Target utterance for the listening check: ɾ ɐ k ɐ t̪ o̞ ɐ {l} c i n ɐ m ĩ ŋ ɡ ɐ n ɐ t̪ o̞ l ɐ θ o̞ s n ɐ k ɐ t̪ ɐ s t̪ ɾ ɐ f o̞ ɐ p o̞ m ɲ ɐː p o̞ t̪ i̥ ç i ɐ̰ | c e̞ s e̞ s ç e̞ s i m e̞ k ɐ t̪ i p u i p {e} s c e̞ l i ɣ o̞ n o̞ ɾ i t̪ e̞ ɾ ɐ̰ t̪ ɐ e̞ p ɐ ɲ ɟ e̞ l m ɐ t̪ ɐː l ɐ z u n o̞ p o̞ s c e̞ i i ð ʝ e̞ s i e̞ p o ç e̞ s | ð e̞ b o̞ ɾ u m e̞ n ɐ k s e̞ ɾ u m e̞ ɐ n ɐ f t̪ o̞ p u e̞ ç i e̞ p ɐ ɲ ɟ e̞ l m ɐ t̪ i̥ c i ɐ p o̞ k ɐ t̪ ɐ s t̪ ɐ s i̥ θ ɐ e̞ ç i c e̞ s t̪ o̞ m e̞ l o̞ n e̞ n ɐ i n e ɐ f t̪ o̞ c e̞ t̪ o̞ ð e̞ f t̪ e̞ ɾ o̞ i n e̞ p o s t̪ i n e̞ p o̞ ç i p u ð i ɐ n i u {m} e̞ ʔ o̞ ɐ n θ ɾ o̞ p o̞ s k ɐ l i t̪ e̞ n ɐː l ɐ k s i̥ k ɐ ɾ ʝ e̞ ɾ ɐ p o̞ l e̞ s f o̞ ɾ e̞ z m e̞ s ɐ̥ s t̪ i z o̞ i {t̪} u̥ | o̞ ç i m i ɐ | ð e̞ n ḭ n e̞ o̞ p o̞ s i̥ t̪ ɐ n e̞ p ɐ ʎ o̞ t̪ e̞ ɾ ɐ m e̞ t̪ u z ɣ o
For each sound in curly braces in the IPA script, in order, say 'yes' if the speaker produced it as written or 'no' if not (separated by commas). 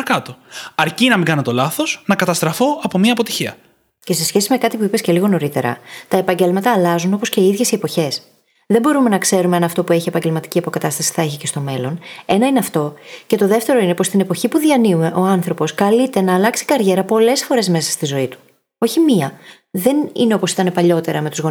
no, yes, yes, yes